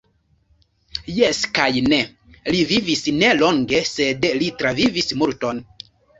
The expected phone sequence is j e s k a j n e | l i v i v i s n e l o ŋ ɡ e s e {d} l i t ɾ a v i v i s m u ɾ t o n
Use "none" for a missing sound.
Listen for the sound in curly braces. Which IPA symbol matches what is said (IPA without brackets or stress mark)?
d